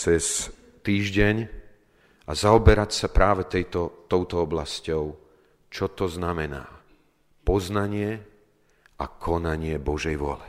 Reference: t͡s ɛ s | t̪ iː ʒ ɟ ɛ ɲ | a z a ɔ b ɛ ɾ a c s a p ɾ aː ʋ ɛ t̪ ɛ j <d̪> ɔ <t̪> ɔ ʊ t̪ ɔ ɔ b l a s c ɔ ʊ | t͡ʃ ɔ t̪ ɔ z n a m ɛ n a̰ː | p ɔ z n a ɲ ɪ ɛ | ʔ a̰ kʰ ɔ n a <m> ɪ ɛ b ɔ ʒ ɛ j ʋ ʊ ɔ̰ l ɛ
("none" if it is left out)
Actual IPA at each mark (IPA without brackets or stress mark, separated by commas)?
t̪, t̪, ɲ